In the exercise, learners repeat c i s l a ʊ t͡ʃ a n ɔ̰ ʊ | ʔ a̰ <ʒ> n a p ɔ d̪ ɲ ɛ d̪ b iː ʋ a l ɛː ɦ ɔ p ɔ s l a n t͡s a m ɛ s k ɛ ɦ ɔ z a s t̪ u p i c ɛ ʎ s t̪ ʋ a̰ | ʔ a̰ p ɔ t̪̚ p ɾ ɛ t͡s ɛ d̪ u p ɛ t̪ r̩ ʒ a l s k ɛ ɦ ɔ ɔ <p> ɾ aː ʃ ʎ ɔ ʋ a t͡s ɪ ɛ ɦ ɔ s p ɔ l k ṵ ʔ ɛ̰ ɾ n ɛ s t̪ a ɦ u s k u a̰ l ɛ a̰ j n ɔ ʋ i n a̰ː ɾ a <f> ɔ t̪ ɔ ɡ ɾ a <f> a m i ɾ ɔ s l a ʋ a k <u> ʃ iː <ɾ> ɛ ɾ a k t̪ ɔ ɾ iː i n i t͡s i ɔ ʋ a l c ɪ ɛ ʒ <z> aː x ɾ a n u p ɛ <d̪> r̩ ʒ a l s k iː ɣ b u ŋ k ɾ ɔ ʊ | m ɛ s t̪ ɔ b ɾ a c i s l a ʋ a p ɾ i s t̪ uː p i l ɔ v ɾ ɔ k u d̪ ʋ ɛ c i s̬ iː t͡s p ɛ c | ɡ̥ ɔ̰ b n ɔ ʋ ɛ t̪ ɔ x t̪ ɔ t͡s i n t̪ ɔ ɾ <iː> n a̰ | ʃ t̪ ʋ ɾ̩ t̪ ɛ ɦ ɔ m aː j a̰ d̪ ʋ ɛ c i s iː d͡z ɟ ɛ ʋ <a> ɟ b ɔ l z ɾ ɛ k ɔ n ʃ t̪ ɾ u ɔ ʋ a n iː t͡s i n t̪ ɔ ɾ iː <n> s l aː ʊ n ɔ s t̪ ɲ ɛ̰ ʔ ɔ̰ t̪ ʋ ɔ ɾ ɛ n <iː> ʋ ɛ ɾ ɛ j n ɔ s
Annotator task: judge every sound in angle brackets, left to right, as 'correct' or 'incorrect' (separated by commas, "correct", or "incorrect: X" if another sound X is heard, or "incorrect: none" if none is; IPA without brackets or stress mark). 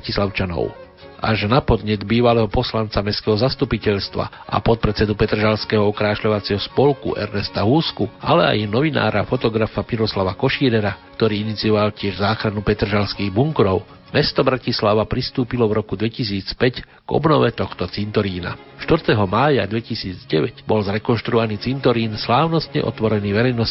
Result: correct, incorrect: k, correct, correct, incorrect: ɔ, correct, correct, incorrect: t̪, correct, incorrect: ɛ, correct, correct